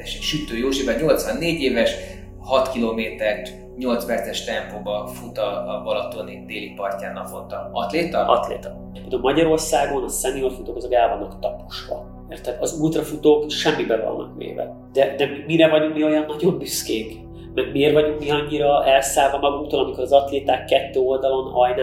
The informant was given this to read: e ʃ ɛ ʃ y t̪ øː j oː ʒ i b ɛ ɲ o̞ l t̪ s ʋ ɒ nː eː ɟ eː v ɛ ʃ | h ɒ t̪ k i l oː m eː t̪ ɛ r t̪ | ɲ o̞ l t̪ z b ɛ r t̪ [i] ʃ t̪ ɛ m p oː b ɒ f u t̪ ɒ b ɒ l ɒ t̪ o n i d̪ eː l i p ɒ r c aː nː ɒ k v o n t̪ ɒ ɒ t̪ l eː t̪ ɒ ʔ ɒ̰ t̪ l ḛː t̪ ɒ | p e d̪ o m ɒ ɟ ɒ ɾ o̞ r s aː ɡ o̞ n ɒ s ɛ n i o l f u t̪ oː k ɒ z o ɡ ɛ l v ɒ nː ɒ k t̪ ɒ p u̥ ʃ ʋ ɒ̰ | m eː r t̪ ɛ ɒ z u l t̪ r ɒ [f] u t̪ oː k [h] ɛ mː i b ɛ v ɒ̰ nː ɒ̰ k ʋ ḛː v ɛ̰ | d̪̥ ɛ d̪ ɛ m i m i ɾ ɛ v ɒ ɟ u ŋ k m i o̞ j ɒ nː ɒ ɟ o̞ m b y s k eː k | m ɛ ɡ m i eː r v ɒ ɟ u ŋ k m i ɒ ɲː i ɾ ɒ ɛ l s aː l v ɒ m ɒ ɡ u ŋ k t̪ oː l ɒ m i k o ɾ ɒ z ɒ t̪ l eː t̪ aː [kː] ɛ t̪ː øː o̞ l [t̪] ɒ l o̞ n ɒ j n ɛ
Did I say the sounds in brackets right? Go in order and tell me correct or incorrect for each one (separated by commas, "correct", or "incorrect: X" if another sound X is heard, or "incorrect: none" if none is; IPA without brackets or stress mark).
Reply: incorrect: ɛ, correct, incorrect: ʃ, correct, incorrect: d̪